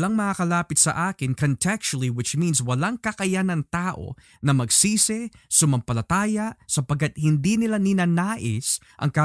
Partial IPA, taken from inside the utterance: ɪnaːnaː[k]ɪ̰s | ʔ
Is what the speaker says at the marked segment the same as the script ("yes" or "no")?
no